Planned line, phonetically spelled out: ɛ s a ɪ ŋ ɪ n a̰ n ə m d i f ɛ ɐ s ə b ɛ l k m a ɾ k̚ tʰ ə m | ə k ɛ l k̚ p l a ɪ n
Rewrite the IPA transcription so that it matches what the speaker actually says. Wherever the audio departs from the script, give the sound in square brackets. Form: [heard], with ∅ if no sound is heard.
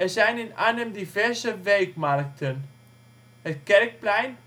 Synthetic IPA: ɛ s a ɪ [n] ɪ n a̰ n ə m d i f ɛ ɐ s ə [v] ɛ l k m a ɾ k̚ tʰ ə [n] | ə k ɛ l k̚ p l a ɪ n